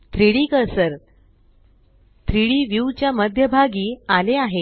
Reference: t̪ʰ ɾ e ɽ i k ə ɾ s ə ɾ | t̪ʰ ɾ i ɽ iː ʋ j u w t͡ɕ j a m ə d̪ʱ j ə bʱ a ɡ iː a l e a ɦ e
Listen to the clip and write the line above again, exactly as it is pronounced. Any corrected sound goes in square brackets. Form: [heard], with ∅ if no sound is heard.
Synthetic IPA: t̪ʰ ɾ [i] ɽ i k ə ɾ s ə ɾ | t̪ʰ ɾ i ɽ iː ʋ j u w t͡ɕ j a m ə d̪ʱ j ə bʱ a ɡ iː a l e a ɦ e

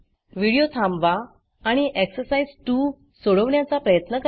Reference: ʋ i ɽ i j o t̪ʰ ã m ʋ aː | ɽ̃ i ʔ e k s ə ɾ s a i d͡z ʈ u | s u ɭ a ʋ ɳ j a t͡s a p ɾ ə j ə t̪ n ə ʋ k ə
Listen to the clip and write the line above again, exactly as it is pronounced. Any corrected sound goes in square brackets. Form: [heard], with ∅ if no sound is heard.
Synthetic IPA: ʋ i ɽ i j o t̪ʰ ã m ʋ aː | ɽ̃ i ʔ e k s ə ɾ s a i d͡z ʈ u | s [o] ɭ [ə] ʋ ɳ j a t͡s a p ɾ ə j ə t̪ n ə [∅] k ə

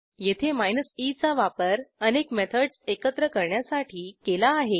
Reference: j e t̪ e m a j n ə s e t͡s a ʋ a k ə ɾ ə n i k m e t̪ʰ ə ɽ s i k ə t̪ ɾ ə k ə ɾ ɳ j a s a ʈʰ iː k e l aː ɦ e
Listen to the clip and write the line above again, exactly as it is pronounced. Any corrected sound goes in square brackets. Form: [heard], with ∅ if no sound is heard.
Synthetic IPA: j e [t̪ʰ] e m a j n ə s [i] t͡s a ʋ a [p] ə ɾ ə n [e] k m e t̪ʰ ə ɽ s [e] k ə t̪ ɾ ə k ə ɾ ɳ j a s a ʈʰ iː k e l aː ɦ e

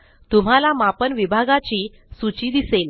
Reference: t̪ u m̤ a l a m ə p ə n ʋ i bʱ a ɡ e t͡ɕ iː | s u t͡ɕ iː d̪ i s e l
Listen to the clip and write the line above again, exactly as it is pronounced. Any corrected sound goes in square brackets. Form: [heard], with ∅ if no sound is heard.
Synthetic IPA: t̪ u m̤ a l a m [a] p ə n ʋ i bʱ a ɡ [a] t͡ɕ iː | s u t͡ɕ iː d̪ i s e l

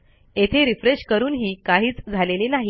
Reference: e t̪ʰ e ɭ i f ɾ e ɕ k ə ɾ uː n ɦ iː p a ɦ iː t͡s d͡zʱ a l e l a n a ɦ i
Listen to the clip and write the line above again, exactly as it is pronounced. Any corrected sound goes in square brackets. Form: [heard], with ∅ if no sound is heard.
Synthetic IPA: e t̪ʰ e [ɾ] i f ɾ e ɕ k ə ɾ uː n ɦ iː [k] a ɦ iː t͡s d͡zʱ a l e l [e] n a ɦ i

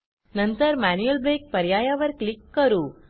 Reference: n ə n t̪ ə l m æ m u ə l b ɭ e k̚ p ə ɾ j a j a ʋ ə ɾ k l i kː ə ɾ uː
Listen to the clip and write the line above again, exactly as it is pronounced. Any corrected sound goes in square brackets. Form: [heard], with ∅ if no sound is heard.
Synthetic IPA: n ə n t̪ ə [ɾ] m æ [n] u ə l b [ɾ] e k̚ p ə ɾ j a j a ʋ ə ɾ k l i kː ə ɾ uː

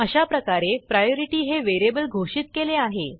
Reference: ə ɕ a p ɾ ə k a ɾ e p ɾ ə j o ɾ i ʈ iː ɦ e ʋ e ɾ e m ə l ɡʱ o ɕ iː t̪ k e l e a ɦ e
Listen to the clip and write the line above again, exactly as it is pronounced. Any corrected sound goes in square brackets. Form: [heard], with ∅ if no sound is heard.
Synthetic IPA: ə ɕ a p ɾ ə k a ɾ e p ɾ [a] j o ɾ i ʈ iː ɦ e ʋ e ɾ e [b] ə l ɡʱ o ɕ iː t̪ k e l e a ɦ e

